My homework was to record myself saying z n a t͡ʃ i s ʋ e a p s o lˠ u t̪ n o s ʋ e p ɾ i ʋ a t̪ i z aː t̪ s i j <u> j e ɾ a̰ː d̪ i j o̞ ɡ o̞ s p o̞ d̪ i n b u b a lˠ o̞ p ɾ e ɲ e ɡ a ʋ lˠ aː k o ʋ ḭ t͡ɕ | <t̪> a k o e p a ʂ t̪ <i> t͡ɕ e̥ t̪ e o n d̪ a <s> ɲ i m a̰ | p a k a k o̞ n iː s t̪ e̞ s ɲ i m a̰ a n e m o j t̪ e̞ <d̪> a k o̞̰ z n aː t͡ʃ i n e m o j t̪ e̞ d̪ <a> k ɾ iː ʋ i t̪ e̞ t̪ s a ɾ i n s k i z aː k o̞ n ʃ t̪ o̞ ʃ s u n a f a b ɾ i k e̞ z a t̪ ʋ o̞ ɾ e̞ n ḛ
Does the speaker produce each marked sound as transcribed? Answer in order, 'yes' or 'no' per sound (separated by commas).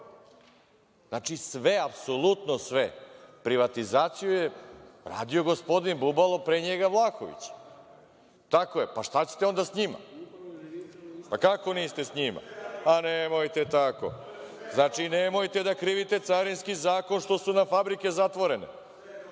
yes, yes, no, yes, no, yes